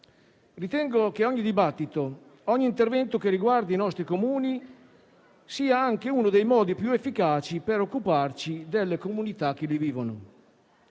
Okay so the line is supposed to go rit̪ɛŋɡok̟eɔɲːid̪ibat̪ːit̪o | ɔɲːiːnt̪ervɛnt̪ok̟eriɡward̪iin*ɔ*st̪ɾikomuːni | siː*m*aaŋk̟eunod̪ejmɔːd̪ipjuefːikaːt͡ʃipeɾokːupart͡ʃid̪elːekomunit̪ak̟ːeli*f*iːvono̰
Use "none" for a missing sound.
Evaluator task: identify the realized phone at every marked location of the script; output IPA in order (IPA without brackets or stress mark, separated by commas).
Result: ɔ, none, v